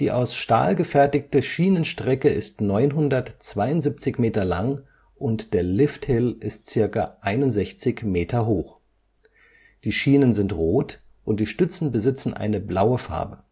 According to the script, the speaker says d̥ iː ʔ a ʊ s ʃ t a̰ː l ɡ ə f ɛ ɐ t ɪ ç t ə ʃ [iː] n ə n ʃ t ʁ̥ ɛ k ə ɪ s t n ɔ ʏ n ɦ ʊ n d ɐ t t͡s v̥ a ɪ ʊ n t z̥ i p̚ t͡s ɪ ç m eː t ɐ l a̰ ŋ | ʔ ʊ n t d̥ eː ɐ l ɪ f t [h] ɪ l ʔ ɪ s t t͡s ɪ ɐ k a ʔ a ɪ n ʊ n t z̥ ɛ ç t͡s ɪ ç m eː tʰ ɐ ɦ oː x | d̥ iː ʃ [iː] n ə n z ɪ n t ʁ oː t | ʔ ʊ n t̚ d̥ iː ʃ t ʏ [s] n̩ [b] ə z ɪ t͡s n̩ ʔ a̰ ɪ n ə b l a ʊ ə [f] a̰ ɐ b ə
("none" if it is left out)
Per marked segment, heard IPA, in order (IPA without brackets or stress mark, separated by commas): iː, h, iː, t͡s, b, f